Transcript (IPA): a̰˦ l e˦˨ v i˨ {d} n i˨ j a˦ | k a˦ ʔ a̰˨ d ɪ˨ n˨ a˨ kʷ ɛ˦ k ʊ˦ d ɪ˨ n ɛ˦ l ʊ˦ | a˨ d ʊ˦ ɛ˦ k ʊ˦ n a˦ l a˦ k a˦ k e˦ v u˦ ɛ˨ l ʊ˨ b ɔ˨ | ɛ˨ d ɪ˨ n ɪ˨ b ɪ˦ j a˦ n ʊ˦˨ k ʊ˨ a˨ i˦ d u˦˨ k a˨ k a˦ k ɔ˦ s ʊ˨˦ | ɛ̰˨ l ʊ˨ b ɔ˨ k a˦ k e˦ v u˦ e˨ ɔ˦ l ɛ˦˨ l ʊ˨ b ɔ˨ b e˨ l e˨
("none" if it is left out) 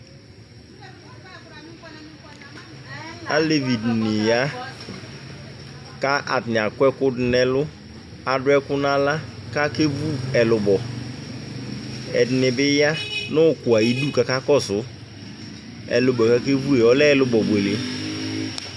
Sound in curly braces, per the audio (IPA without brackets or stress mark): d